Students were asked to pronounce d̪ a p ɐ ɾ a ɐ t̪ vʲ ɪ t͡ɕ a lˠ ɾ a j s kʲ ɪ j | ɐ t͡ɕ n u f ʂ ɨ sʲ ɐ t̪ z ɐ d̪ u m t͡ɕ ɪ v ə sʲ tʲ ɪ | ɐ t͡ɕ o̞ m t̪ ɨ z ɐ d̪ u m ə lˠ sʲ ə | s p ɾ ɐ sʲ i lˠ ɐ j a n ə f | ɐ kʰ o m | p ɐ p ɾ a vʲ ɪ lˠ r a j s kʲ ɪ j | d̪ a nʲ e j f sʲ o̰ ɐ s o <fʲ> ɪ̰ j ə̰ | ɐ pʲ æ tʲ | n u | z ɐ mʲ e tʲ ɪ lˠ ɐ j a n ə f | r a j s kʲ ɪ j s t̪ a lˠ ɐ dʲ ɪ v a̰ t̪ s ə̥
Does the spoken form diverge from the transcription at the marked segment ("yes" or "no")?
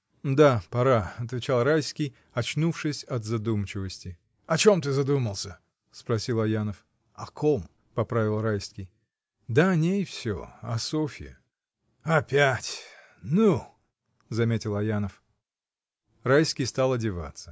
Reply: no